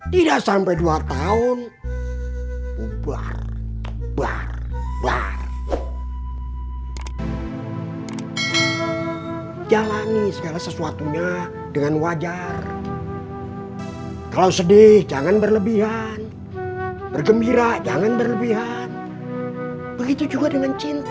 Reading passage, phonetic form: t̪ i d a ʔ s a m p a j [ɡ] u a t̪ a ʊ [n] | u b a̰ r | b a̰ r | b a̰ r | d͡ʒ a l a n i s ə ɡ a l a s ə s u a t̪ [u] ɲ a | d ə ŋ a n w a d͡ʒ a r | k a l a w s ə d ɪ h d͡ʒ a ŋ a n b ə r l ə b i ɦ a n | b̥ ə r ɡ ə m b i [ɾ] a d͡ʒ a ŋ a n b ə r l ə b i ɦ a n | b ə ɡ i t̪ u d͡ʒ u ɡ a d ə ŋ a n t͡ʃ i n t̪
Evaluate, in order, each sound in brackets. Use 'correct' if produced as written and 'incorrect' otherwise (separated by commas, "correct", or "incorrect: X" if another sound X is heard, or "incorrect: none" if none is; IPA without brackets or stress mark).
incorrect: d, correct, correct, correct